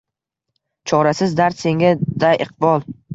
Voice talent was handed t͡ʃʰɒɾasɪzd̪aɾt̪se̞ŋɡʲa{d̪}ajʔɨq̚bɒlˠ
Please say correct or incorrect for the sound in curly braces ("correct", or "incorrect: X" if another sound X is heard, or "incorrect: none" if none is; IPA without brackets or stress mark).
correct